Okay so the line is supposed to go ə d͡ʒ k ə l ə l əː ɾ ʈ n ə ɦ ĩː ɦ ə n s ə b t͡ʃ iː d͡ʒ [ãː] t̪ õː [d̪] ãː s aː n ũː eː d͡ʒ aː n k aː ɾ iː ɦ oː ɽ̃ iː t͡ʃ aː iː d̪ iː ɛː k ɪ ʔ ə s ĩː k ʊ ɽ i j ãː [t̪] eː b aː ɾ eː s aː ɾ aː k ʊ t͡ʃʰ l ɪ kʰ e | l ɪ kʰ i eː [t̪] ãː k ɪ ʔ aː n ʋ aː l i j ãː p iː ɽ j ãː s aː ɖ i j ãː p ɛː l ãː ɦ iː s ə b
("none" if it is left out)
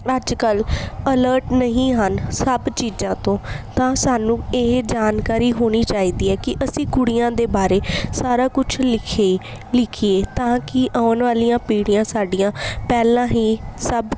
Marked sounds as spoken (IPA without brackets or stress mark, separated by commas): ãː, t̪, d̪, t̪